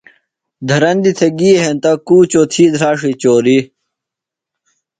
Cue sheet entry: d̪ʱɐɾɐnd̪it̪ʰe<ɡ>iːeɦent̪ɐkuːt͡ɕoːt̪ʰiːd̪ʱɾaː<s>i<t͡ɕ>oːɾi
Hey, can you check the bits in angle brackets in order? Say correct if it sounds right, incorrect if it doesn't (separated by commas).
correct, incorrect, correct